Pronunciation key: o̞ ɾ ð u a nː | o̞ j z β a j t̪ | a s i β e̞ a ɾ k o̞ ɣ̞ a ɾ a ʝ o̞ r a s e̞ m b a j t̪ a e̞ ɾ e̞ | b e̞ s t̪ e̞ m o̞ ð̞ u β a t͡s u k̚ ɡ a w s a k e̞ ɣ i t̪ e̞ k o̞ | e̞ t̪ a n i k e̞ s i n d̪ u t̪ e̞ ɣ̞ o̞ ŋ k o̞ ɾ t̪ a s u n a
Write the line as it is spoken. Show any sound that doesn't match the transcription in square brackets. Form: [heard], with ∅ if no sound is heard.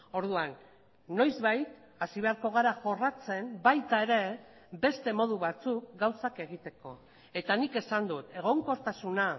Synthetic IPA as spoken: o̞ ɾ ð u a nː | o̞ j z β a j t̪ | a s i β e̞ a ɾ k o̞ ɣ̞ a ɾ a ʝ o̞ r a [t͡s] e̞ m b a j t̪ a e̞ ɾ e̞ | b e̞ s t̪ e̞ m o̞ ð̞ u β a t͡s u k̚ ɡ a w s a k e̞ ɣ i t̪ e̞ k o̞ | e̞ t̪ a n i k e̞ s [a] n d̪ u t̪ e̞ ɣ̞ o̞ ŋ k o̞ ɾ t̪ a s u n a